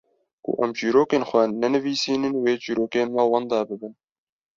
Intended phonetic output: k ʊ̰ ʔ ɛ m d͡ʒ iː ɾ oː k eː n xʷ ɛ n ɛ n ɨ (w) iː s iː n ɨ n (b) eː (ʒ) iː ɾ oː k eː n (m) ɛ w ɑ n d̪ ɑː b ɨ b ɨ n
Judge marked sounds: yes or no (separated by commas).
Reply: no, no, no, yes